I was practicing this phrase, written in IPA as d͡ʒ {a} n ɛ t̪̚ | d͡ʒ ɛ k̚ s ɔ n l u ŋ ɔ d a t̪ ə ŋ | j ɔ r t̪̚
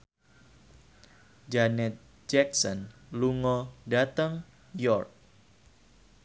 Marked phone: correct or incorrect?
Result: correct